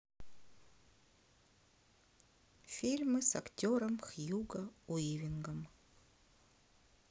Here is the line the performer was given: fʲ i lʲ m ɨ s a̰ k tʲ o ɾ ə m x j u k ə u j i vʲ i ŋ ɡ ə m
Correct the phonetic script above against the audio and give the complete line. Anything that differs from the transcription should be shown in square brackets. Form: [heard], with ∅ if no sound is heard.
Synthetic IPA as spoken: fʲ i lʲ m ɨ s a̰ k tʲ o ɾ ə m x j u [ɡ] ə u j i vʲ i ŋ ɡ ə m